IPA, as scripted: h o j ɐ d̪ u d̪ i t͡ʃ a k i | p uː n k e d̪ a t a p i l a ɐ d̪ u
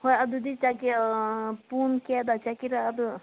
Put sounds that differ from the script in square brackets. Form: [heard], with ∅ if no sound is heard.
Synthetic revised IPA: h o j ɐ d̪ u d̪ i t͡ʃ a k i | p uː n k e d̪ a [t͡ʃ] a [k] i [ɾ] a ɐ d̪ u